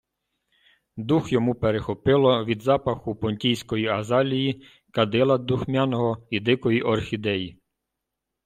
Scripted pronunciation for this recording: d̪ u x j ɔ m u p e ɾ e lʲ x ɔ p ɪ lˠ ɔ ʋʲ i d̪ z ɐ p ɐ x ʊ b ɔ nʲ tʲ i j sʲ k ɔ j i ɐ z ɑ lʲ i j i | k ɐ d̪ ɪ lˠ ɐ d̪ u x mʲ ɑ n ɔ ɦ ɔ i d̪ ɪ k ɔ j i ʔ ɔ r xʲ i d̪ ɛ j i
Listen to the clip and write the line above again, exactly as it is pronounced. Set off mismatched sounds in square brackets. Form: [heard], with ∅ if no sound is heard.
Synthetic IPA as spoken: d̪ u x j ɔ m u p e ɾ e [∅] x ɔ p ɪ lˠ ɔ ʋʲ i d̪ z [ɑ] p ɐ x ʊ [p] ɔ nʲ tʲ i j sʲ k ɔ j i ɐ z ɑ lʲ i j i | k ɐ d̪ ɪ lˠ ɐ d̪ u x mʲ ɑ n ɔ ɦ ɔ i d̪ ɪ k ɔ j i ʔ ɔ r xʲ i d̪ ɛ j i